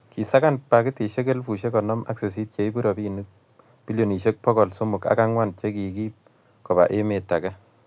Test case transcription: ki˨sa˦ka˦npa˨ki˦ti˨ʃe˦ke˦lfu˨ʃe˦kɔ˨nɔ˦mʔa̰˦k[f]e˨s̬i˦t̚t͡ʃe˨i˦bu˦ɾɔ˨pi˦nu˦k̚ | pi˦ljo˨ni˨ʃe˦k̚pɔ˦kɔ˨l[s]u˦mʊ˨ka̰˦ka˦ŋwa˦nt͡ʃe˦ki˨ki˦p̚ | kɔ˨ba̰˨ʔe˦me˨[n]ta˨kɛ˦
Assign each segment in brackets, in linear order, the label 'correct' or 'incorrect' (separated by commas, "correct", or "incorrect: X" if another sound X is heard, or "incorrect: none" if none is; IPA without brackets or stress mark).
incorrect: s, correct, incorrect: none